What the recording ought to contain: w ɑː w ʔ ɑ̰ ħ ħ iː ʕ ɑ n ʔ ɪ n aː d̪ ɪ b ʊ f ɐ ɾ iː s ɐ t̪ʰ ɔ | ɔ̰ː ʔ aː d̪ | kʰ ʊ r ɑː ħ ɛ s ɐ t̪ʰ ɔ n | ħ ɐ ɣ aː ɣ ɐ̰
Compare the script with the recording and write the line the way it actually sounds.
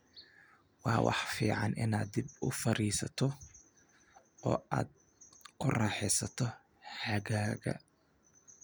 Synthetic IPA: w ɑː w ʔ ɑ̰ ħ f iː ʕ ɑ n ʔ ɪ n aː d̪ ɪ b ʊ f ɐ ɾ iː s ɐ t̪ʰ ɔ | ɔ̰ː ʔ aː d̪ | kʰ ʊ r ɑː ħ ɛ s ɐ t̪ʰ ɔ | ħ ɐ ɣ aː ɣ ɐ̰